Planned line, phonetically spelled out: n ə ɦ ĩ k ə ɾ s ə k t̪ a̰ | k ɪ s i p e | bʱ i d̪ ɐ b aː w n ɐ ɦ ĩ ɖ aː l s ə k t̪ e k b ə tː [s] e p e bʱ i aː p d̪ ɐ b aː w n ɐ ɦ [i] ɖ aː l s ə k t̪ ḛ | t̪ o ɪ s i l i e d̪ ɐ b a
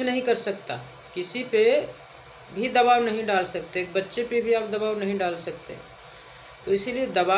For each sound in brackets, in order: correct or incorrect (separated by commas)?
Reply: incorrect, incorrect